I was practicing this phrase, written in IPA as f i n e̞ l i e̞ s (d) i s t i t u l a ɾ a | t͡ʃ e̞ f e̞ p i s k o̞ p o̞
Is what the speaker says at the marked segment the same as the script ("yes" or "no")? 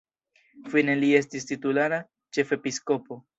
no